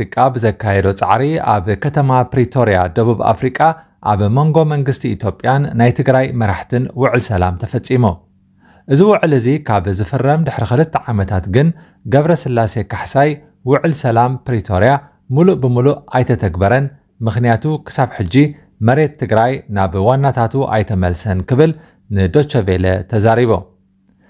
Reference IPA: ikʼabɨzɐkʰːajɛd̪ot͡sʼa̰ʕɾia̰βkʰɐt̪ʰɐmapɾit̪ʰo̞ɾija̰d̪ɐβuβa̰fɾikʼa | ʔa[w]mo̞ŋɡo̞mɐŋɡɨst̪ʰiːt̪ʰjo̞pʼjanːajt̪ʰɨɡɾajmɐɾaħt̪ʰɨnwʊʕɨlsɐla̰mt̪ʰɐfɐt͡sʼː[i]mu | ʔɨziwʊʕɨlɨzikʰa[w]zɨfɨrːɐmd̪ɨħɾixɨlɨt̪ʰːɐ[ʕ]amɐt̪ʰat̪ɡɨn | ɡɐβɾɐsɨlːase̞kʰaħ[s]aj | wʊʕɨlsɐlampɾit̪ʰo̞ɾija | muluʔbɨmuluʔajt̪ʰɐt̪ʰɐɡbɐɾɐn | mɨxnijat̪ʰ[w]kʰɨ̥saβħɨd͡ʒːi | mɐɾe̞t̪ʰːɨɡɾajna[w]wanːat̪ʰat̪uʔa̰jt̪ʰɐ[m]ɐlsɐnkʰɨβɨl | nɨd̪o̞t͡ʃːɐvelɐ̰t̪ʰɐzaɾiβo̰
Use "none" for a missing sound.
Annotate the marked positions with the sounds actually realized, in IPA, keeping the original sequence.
β, i, β, ʕ, s, u, β, m

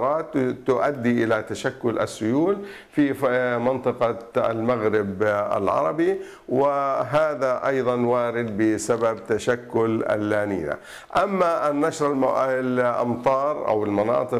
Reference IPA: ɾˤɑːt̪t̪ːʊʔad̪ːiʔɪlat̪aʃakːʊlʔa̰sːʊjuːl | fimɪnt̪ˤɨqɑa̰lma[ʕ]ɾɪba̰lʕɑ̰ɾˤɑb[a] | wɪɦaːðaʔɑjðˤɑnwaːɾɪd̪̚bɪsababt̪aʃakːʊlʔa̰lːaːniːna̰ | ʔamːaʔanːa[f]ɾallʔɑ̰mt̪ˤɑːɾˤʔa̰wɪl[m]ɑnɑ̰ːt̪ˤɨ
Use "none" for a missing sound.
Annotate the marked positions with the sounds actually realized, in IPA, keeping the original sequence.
ɣ, i, ʃ, m

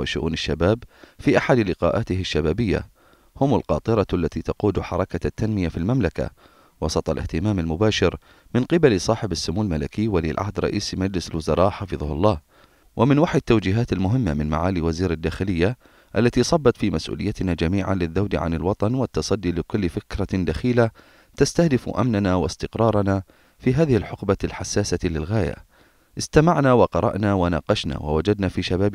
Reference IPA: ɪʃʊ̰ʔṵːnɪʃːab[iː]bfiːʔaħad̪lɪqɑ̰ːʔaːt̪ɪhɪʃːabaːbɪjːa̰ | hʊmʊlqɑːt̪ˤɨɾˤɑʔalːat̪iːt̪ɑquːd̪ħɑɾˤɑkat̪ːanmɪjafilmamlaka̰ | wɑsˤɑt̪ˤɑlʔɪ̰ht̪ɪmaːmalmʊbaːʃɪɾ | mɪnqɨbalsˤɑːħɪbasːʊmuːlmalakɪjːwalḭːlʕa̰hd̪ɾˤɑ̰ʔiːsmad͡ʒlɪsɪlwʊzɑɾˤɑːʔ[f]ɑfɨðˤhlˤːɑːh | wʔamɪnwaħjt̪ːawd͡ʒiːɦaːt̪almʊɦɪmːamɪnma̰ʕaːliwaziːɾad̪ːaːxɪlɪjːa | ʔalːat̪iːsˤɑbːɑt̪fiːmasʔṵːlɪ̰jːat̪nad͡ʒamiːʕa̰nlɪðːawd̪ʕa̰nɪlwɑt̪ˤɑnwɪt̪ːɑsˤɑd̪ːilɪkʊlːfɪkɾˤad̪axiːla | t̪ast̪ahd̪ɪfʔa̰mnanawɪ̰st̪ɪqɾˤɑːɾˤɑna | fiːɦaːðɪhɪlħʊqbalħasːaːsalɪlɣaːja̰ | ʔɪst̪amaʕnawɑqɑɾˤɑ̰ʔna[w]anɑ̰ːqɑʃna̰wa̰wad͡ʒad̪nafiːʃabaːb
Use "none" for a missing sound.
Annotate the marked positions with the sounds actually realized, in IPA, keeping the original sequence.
aː, ħ, w

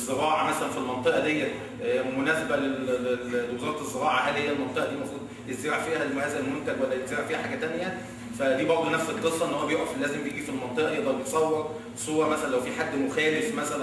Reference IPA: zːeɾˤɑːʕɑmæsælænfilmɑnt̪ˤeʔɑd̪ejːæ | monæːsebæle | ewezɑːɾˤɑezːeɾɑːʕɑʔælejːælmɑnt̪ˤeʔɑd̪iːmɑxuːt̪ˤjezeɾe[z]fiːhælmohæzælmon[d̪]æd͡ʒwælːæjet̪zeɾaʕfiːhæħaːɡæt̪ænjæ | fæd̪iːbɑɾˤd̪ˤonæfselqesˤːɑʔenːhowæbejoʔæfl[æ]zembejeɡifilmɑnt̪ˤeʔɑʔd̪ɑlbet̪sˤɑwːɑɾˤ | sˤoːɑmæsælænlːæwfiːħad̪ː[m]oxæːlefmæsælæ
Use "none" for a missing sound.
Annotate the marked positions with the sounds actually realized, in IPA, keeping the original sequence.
ʕ, t̪, æː, m

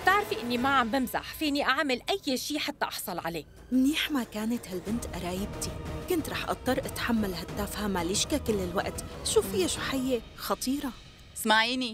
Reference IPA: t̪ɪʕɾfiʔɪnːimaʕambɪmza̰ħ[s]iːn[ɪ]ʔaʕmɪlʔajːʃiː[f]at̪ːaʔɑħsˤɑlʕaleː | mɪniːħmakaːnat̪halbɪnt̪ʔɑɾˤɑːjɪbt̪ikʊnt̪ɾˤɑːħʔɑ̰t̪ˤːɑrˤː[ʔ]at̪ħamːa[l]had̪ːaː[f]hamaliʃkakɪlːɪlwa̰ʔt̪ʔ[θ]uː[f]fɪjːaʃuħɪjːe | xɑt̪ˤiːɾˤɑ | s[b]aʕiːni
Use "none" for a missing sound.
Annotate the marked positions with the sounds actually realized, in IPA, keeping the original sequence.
f, i, ħ, ʔ, l, f, ʃ, f, m

